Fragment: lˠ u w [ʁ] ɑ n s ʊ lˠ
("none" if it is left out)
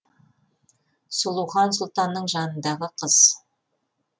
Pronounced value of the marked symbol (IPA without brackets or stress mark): χ